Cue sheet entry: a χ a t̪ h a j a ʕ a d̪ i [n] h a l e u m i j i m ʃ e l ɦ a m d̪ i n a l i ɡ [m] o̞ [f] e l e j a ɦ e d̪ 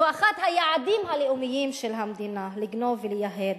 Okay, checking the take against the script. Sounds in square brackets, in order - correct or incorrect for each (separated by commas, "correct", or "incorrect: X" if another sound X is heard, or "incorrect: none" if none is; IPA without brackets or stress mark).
incorrect: m, incorrect: n, incorrect: v